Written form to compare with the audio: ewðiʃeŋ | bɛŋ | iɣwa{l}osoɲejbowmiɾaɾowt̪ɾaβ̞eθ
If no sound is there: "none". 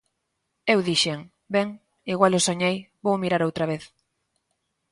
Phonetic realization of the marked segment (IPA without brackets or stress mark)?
l